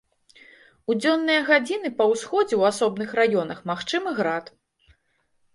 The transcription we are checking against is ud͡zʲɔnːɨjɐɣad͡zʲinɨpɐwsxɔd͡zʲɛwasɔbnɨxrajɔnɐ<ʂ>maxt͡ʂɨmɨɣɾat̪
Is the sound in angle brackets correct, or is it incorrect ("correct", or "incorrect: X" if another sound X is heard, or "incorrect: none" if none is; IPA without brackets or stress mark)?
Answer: incorrect: x